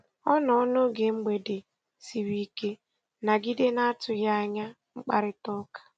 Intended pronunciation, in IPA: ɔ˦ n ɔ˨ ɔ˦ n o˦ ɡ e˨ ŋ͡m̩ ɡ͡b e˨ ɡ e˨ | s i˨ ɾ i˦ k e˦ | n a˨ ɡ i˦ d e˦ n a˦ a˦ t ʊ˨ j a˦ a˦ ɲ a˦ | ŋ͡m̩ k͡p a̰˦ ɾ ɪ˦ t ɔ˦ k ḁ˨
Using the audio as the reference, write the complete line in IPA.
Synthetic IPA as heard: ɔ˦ n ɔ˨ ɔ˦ n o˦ ɡ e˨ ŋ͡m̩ ɡ͡b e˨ d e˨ | s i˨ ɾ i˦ k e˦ | n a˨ ɡ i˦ d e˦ n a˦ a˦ t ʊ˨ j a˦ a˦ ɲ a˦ | ŋ͡m̩ k͡p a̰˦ ɾ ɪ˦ t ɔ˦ k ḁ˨